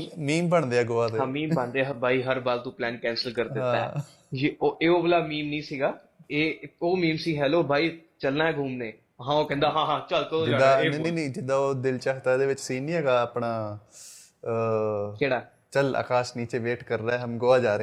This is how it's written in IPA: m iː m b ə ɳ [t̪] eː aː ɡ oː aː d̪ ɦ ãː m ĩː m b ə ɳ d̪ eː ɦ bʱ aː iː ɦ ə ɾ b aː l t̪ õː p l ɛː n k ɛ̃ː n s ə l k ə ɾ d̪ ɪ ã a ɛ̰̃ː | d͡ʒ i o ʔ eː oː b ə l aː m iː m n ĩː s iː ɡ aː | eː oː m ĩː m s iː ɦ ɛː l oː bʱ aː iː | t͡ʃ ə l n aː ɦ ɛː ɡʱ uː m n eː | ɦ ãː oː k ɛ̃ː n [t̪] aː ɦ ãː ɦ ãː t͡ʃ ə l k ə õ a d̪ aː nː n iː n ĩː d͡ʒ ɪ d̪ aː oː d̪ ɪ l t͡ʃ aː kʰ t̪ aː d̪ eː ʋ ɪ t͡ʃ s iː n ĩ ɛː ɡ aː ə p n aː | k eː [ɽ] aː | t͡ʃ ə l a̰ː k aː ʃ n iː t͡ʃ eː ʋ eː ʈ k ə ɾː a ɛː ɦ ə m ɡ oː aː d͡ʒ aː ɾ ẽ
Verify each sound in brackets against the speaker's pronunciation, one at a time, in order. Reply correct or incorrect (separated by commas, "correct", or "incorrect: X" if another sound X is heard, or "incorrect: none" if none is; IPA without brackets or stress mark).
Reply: incorrect: d̪, incorrect: d̪, correct